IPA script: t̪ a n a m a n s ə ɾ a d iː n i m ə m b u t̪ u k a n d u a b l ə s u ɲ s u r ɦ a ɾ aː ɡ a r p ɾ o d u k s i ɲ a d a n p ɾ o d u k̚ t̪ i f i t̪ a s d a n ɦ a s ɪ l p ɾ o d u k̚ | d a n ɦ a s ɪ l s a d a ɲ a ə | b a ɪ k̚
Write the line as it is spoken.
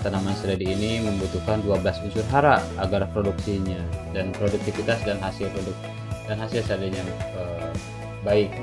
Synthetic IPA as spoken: t̪ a n a m a n s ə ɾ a d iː n i m ə m b u t̪ u k a n d u a b l a s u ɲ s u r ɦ a ɾ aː ɡ a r p ɾ o d u k s i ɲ a d a n p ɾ o d u k̚ t̪ i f i t̪ a s d a n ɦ a s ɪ l p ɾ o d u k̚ | d a n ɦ a s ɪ l s a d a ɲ a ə | b a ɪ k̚